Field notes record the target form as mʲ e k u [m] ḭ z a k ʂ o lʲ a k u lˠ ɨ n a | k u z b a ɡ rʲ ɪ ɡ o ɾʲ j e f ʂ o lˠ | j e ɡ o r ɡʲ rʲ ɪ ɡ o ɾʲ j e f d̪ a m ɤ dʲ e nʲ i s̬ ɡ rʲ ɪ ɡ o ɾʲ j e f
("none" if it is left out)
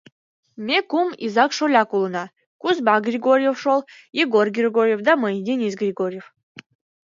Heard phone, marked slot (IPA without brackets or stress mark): m